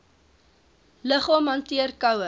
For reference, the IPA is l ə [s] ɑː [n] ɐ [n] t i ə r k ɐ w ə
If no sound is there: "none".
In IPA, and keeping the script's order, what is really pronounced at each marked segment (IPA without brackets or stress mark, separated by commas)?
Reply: χ, m, n